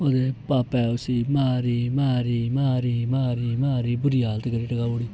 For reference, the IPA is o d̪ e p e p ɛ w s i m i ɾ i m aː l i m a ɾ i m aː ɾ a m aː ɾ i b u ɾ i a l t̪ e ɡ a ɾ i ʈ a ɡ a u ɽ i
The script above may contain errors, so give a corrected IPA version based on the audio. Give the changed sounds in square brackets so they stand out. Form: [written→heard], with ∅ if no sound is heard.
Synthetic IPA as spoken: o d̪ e p [e→a] p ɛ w s i m [i→a] ɾ i m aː [l→ɾ] i m a ɾ i m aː ɾ [a→i] m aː ɾ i b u ɾ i a l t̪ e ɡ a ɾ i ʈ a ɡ a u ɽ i